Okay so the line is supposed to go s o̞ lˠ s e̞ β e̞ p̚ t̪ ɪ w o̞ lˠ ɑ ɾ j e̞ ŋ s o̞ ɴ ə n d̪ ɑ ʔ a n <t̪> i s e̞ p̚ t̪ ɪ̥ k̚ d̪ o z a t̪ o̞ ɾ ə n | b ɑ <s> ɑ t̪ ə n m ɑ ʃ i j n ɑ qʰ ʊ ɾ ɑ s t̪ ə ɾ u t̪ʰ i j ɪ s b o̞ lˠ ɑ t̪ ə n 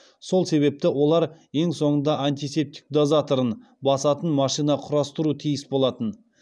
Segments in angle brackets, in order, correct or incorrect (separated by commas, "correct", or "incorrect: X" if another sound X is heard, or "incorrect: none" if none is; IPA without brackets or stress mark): correct, correct